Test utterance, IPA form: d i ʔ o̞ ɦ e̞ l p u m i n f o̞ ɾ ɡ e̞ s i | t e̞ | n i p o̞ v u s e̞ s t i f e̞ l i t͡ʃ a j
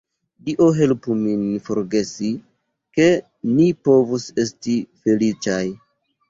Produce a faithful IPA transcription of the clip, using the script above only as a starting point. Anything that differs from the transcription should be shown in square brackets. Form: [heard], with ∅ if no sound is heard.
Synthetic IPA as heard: d i ʔ o̞ ɦ e̞ l p u m i n f o̞ ɾ ɡ e̞ s i | [k] e̞ | n i p o̞ v u s e̞ s t i f e̞ l i t͡ʃ a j